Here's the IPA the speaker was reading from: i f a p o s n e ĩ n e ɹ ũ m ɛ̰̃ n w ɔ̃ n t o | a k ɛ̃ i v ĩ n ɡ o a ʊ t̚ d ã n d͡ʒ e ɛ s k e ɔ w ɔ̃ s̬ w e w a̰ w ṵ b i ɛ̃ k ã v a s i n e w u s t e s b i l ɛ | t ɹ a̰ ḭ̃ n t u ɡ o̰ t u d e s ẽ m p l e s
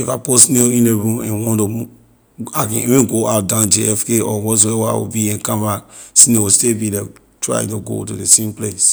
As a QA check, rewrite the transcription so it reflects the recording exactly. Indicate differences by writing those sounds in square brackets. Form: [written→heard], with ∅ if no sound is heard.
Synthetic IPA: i f a p o s n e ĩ n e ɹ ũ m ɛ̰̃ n w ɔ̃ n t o | a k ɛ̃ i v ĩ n ɡ o a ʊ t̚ d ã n d͡ʒ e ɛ [s→f] k e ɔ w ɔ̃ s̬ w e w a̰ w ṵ b i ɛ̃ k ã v a s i n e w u s t e [s→∅] b i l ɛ | t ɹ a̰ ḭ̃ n t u ɡ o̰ t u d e s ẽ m p l e s